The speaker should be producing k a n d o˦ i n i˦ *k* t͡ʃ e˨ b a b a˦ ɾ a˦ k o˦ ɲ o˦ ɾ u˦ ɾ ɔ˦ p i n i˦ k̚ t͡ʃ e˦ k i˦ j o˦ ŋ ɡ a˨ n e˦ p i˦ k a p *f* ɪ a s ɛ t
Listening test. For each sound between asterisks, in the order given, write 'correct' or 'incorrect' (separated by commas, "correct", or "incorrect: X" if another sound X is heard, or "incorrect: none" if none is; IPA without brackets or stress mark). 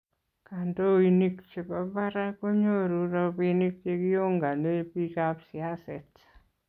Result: correct, incorrect: s